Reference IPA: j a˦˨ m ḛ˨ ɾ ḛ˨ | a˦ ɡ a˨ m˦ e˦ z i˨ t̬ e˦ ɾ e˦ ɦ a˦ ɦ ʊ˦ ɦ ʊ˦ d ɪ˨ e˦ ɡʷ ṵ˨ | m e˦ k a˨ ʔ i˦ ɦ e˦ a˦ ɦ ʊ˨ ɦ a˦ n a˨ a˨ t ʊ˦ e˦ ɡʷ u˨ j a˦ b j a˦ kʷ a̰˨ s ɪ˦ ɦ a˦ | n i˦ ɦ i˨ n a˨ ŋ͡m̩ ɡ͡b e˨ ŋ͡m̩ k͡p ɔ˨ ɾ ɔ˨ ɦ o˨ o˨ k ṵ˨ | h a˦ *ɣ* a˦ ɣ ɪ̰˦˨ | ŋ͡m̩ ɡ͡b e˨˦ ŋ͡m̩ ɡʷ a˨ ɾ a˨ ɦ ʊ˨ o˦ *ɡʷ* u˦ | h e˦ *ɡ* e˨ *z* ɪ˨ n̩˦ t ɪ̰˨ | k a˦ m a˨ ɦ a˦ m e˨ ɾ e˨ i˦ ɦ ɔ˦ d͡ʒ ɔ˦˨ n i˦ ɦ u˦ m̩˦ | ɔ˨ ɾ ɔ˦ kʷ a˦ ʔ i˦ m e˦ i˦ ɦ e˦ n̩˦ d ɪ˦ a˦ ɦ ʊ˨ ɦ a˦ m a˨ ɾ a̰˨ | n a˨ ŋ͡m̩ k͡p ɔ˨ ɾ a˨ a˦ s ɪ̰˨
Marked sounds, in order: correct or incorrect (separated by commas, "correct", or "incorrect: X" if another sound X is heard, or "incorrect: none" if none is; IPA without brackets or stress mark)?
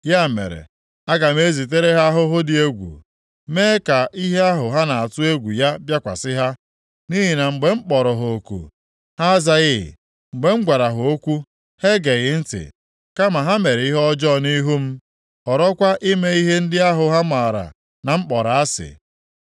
incorrect: z, incorrect: kʷ, correct, incorrect: ɣ